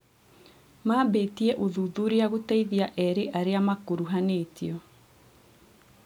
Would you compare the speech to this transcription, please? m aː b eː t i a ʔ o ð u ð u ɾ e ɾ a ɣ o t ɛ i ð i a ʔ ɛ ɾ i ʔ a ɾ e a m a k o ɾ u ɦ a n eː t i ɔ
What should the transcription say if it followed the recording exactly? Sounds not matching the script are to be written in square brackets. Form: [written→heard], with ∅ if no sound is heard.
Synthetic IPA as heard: m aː b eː t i [a→ɛ] ʔ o ð u ð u ɾ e [ɾ→∅] a ɣ o t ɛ i ð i a ʔ ɛ ɾ [i→e] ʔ a ɾ e a m a k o ɾ u ɦ a n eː t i ɔ